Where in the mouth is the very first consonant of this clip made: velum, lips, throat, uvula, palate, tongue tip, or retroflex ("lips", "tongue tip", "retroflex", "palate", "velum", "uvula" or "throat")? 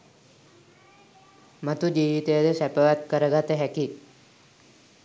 lips